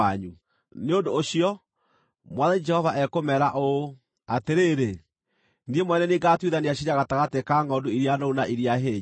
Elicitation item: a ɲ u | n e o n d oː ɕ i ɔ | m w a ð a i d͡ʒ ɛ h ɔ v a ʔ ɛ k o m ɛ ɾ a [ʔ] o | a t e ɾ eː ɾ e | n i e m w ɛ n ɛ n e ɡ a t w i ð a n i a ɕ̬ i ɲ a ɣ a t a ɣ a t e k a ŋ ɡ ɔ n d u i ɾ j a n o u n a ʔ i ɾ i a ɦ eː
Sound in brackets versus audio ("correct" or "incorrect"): correct